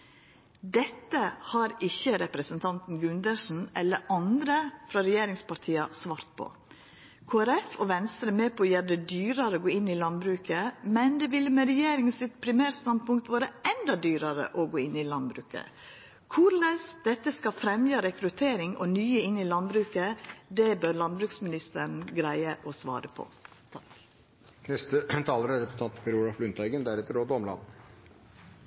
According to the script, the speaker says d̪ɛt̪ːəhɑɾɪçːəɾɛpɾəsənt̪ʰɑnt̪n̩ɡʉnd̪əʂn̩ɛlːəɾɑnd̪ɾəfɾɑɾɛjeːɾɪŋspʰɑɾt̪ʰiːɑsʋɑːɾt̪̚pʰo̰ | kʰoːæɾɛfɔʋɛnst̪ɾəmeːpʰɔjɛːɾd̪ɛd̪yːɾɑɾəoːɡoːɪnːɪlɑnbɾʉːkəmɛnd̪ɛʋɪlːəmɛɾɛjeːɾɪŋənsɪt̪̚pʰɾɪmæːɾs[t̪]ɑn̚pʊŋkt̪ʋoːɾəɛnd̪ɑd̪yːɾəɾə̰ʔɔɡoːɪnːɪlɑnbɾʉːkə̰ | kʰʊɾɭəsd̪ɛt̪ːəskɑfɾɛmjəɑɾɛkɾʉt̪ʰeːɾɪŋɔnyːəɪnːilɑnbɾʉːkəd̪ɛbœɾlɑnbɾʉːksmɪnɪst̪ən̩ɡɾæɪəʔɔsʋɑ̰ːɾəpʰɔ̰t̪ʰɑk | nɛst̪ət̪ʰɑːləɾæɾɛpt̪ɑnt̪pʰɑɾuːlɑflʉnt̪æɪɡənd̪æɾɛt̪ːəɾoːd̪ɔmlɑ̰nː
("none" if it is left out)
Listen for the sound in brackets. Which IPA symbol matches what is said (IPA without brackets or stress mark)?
t̪